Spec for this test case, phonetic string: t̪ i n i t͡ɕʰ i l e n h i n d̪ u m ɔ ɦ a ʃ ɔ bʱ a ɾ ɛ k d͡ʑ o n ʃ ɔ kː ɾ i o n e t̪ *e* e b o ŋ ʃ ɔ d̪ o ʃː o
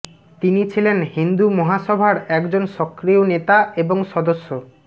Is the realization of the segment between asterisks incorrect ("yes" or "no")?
yes